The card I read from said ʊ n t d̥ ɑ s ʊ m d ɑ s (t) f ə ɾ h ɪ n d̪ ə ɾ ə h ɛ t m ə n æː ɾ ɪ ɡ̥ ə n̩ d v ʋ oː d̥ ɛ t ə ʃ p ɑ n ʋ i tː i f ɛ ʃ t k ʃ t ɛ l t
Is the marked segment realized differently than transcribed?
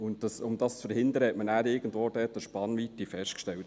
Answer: yes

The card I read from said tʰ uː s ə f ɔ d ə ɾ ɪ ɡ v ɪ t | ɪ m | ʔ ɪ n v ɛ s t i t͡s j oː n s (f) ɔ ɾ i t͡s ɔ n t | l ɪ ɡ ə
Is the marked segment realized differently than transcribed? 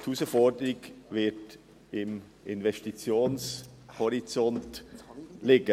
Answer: yes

